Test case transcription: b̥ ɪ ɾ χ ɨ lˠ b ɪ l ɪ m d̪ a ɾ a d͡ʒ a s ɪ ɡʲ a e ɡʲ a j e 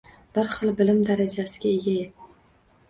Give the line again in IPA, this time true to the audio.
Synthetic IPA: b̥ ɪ ɾ χ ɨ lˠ b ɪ l ɪ m d̪ a ɾ a d͡ʒ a s ɪ ɡʲ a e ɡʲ a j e